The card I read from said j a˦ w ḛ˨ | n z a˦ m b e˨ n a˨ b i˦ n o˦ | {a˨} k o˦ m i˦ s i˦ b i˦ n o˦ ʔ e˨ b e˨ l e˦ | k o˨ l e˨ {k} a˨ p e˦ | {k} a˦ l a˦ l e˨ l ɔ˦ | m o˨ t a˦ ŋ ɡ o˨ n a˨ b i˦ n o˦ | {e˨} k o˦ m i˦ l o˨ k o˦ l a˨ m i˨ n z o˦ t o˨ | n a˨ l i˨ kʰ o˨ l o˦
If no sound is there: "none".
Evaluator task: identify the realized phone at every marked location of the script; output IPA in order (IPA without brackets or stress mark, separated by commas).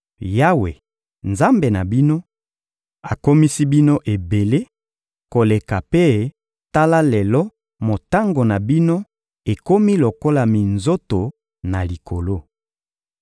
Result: a˨, k, t, e˨